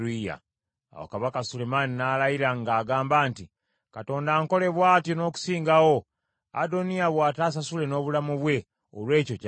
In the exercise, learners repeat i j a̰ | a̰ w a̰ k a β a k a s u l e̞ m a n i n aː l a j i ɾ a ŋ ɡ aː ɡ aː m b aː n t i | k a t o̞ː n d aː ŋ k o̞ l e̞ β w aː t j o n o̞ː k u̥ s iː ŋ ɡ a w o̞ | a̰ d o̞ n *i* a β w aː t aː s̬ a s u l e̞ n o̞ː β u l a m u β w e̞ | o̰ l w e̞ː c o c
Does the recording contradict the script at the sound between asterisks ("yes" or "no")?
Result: no